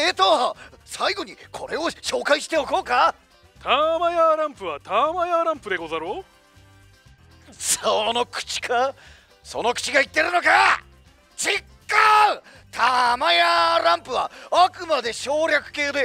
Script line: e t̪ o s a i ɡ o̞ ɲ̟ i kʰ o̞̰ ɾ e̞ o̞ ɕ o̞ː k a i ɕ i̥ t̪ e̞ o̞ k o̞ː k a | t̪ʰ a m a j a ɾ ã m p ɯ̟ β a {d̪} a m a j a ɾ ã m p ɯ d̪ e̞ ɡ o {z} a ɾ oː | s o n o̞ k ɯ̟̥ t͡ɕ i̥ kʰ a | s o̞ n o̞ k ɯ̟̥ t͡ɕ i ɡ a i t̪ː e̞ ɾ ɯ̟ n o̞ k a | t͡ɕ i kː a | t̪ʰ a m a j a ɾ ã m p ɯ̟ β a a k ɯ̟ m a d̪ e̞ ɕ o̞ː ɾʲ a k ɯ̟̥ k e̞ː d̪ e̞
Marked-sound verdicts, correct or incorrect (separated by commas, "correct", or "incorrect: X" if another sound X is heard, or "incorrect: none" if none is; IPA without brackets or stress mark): incorrect: t̪, correct